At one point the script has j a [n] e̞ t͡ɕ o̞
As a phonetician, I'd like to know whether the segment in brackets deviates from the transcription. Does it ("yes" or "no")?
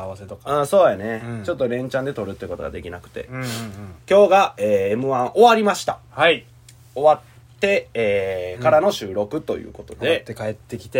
no